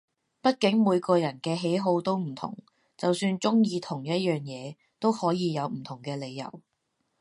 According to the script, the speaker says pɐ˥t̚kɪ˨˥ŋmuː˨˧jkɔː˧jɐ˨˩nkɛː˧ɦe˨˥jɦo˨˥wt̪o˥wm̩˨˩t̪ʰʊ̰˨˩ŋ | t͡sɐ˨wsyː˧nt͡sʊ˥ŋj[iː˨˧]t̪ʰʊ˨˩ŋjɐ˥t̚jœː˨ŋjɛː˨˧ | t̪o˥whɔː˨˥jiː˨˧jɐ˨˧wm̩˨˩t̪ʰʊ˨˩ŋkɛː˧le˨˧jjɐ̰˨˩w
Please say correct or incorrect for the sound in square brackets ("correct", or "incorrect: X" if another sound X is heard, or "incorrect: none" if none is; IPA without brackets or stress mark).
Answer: correct